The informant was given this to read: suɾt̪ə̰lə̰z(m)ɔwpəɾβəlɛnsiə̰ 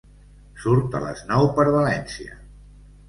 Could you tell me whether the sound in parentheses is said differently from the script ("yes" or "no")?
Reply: yes